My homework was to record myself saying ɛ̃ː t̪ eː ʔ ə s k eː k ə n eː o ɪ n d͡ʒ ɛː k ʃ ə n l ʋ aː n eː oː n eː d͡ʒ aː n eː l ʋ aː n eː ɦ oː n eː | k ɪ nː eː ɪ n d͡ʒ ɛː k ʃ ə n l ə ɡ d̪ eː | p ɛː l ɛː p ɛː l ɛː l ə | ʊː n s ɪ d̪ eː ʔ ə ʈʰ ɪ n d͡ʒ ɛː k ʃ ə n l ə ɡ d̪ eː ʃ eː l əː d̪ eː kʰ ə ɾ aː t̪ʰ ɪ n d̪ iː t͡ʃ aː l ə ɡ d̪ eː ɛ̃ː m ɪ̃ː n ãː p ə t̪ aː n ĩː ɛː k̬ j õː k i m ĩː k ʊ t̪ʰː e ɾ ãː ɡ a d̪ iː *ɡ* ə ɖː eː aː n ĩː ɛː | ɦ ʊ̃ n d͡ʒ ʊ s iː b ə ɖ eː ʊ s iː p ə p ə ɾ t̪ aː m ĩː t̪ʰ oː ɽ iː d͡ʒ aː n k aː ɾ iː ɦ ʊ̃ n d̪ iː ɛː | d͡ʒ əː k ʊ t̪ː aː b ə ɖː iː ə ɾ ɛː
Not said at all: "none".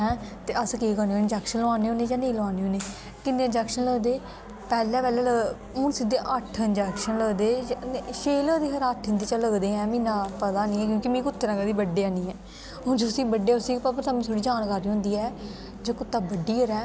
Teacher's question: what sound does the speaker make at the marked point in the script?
b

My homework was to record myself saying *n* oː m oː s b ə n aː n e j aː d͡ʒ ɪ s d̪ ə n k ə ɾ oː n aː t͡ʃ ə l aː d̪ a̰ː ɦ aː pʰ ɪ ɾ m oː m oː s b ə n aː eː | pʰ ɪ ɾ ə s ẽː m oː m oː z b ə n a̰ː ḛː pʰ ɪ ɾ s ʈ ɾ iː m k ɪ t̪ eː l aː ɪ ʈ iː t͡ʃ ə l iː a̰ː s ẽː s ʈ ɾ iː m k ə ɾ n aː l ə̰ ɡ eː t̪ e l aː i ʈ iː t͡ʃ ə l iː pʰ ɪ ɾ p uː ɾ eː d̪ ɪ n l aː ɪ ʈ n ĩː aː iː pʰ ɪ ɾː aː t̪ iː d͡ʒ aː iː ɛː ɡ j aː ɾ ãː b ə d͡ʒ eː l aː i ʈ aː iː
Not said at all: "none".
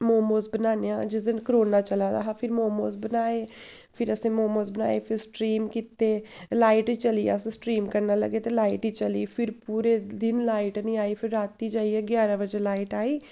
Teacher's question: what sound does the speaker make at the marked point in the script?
m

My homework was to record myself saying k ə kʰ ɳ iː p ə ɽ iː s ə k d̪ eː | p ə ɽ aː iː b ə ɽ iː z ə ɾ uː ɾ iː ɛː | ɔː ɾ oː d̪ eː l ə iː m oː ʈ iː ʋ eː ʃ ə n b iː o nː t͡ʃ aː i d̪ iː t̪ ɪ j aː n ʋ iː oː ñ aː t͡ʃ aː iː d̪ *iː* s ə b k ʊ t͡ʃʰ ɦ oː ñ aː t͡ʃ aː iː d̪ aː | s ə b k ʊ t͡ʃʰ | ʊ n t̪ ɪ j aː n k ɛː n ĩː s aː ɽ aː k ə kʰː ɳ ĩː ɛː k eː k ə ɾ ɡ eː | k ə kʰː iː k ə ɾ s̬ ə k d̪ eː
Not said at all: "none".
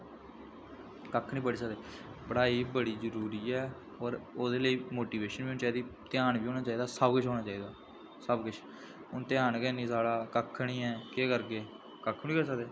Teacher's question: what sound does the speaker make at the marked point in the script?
aː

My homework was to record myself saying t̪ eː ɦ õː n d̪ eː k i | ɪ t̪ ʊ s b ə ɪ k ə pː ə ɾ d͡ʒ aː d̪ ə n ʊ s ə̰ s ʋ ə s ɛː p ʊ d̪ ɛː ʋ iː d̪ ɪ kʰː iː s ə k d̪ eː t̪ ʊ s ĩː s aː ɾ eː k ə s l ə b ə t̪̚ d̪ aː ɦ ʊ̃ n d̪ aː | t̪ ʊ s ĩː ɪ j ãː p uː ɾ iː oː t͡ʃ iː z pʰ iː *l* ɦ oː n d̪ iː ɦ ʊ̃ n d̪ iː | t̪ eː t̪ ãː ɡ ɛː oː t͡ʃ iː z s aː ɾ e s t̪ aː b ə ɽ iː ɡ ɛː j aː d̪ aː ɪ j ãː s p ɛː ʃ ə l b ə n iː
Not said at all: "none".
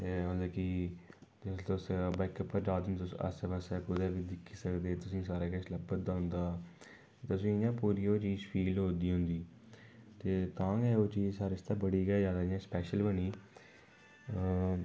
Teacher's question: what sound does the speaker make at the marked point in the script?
l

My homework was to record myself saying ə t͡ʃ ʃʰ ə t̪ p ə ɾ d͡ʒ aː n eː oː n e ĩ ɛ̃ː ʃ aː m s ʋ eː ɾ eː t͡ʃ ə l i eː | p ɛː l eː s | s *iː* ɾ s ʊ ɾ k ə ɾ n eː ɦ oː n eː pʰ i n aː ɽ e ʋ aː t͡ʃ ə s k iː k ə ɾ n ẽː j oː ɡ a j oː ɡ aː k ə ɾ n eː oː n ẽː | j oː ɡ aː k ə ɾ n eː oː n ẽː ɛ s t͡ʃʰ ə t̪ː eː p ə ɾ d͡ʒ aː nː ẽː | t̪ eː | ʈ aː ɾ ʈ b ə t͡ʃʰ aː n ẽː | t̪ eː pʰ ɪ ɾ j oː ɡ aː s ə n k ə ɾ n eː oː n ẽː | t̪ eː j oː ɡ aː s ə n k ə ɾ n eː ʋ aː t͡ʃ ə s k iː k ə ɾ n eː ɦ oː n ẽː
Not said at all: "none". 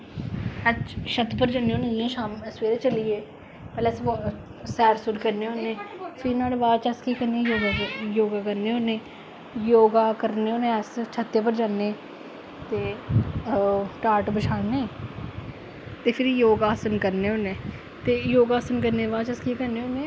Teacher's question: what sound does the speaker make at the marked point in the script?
ɛː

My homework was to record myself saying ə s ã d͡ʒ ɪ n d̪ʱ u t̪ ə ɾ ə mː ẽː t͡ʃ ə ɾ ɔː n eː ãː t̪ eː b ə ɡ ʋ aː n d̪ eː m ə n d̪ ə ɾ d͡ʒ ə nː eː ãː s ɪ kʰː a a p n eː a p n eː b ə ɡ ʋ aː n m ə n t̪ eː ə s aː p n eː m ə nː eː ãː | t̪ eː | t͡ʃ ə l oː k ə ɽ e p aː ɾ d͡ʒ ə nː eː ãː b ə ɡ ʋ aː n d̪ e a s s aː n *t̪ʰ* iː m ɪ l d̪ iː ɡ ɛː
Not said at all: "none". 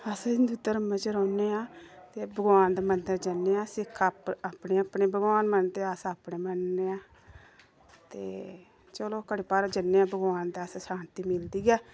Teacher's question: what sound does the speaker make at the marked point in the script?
t̪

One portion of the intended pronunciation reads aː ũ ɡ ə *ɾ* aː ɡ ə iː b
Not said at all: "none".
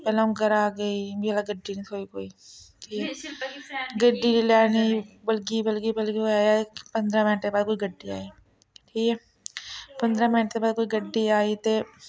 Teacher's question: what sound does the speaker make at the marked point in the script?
ɾ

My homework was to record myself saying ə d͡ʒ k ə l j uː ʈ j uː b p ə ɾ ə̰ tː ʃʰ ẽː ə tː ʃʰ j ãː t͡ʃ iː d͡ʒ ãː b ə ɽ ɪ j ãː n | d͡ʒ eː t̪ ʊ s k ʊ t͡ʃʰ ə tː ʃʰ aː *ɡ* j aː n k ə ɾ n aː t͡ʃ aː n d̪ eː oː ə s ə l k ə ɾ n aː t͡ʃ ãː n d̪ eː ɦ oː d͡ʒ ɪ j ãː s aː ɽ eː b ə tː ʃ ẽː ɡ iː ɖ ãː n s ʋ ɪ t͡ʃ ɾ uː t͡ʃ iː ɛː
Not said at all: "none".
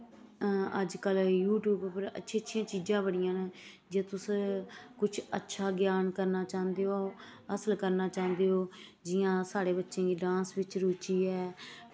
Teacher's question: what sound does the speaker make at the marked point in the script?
ɡ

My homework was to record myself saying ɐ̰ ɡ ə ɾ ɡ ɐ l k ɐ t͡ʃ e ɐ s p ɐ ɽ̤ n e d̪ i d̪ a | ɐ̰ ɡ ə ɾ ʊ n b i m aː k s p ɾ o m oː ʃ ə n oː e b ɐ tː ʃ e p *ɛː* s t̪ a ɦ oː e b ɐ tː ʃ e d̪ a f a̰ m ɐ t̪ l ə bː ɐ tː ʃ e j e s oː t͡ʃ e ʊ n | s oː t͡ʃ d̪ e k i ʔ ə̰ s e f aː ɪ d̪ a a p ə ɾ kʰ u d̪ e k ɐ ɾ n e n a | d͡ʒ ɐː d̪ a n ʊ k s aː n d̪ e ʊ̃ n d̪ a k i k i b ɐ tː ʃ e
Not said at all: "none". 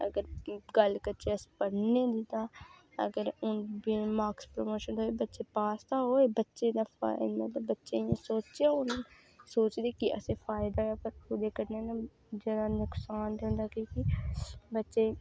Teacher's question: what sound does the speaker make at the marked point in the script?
aː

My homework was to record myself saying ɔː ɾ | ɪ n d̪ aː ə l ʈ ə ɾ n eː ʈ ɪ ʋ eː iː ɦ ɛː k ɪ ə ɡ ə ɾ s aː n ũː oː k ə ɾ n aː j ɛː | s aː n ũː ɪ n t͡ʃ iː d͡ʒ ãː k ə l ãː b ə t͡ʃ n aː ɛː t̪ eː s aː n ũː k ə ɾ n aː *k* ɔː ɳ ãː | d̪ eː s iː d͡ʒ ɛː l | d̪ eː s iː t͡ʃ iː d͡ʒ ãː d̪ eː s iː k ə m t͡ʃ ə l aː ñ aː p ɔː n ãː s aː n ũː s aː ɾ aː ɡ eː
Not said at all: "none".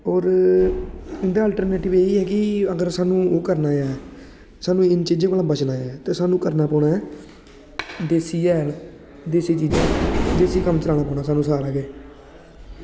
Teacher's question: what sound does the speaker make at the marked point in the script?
p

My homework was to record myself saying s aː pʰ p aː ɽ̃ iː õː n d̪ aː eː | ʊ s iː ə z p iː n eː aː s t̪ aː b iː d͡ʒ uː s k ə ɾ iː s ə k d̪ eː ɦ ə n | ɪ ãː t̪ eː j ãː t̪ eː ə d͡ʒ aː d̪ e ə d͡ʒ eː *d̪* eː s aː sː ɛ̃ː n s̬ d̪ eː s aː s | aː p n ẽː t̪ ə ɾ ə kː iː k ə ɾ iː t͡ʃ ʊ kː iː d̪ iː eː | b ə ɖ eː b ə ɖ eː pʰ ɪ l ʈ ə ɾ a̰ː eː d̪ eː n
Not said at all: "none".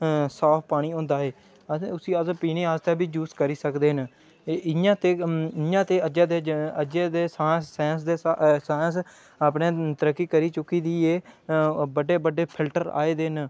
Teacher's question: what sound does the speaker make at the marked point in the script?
d̪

